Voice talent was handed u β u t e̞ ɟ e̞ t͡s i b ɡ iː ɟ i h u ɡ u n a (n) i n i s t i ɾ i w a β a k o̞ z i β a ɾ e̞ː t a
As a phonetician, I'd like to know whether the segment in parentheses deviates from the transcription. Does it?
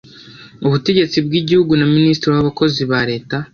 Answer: yes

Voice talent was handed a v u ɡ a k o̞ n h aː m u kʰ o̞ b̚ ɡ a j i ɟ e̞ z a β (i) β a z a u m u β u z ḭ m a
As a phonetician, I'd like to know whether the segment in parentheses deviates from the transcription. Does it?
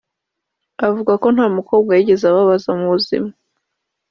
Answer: yes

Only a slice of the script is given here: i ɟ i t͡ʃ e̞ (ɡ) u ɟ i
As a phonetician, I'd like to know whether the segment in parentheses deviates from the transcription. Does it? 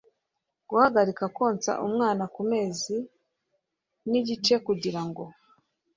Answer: yes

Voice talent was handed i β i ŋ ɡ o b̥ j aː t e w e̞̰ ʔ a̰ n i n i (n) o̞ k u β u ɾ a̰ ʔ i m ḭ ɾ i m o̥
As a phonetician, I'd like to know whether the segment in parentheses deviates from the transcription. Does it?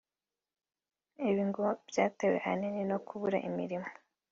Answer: no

